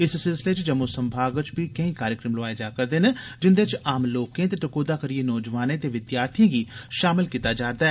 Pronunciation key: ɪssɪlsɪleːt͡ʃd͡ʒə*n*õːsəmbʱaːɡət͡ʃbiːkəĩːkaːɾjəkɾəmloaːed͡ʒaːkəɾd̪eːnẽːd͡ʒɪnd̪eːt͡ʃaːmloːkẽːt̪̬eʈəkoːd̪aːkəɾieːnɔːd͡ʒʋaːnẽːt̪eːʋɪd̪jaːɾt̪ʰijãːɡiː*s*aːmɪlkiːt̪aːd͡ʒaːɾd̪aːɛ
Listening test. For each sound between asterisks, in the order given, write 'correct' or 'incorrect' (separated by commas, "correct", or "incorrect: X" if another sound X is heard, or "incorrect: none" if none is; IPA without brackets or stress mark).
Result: incorrect: m, incorrect: ʃ